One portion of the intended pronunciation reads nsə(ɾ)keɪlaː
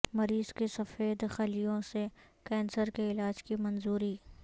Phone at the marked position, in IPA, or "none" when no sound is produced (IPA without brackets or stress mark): ɾ